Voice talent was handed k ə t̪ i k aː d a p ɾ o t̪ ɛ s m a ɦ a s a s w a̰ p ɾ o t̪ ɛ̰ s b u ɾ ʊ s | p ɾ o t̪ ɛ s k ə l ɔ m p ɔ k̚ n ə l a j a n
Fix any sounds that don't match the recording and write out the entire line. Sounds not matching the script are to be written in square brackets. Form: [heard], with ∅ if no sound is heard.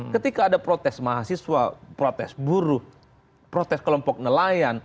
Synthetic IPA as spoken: k ə t̪ i k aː d a p ɾ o t̪ ɛ s m a ɦ a s [i] s w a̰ p ɾ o t̪ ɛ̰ s b u ɾ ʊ [h] | p ɾ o t̪ ɛ s k ə l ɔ m p ɔ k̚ n ə l a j a n